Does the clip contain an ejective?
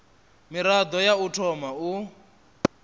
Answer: no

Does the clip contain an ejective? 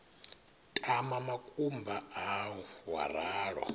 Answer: yes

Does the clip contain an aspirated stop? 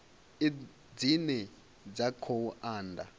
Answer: yes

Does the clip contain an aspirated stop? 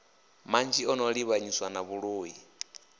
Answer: no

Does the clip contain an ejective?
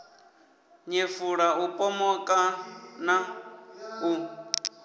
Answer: yes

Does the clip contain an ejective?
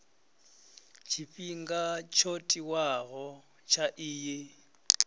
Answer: yes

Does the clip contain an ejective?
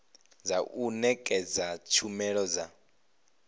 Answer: yes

